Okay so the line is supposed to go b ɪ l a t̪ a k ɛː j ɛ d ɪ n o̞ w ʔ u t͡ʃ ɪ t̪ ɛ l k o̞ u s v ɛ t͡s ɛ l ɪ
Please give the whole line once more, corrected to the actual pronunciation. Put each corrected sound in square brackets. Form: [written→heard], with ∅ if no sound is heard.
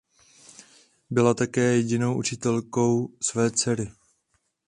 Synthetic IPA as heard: b ɪ l a t̪ a k ɛː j ɛ [d→ɟ] ɪ n o̞ w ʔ u t͡ʃ ɪ t̪ ɛ l k o̞ [u→w] s v [ɛ→ɛː] t͡s ɛ [l→ɾ] ɪ